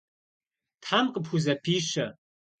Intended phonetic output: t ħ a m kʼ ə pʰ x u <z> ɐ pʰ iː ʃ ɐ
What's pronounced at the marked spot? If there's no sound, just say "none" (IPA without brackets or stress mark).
z